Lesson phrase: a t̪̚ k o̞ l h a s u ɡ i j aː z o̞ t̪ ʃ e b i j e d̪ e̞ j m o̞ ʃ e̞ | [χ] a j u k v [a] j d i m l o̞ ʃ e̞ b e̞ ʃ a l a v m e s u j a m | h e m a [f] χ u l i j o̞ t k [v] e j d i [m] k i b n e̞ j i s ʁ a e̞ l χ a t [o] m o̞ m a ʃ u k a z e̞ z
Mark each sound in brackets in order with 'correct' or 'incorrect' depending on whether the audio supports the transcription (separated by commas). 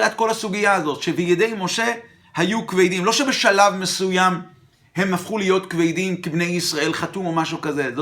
incorrect, incorrect, correct, correct, correct, incorrect